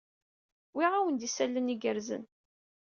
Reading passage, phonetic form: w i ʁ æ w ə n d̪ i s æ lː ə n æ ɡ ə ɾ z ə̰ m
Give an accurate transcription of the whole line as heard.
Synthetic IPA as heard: w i ʁ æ w ə n d̪ i s æ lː ə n i ɡ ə ɾ z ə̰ n